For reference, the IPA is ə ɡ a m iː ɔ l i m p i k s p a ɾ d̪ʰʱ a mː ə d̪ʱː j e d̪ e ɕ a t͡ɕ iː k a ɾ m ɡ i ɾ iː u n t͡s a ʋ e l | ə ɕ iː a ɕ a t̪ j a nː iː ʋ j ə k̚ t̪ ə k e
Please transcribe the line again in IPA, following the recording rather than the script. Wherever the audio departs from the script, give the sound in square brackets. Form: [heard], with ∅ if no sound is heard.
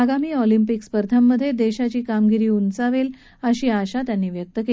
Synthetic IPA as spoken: [a] ɡ a m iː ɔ l i m p i k s p [ə] ɾ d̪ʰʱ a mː ə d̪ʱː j e d̪ e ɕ a t͡ɕ iː k a [∅] m ɡ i ɾ iː u n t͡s a ʋ e l | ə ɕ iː a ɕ a t̪ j a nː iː ʋ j ə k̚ t̪ ə k e